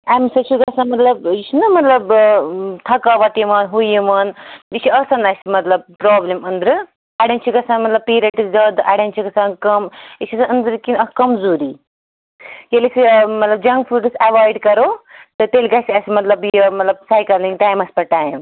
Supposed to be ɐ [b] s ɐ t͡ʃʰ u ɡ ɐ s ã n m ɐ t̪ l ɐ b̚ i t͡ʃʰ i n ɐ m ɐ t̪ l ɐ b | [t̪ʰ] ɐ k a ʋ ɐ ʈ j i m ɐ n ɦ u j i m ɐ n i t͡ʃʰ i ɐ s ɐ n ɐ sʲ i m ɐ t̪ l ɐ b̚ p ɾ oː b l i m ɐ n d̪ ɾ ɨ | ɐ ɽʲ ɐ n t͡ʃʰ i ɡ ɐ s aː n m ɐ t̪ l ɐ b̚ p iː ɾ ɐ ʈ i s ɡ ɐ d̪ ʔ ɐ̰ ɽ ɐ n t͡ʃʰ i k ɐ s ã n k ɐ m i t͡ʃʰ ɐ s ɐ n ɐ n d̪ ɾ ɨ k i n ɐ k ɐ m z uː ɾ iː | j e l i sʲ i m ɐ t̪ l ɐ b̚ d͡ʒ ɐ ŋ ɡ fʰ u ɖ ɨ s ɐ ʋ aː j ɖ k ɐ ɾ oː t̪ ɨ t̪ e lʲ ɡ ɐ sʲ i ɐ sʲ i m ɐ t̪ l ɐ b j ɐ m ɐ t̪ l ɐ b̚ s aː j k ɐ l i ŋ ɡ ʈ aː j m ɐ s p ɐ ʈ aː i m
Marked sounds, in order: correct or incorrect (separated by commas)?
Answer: incorrect, correct